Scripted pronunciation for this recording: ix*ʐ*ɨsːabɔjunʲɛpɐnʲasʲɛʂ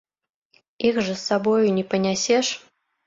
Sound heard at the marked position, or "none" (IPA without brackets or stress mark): ʐ